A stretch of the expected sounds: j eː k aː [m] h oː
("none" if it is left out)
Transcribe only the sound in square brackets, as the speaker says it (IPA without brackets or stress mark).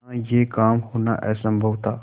m